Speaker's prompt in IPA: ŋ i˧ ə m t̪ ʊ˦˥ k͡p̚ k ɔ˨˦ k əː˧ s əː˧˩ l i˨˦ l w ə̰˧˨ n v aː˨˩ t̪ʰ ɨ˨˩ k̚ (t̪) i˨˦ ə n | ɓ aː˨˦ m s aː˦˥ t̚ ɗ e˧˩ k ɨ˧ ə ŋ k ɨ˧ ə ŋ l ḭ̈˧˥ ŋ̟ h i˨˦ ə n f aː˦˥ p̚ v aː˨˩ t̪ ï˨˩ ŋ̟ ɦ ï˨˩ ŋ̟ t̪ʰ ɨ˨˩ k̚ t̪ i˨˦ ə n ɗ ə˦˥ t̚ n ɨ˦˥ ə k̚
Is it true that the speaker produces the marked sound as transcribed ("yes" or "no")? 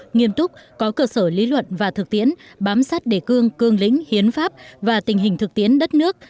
yes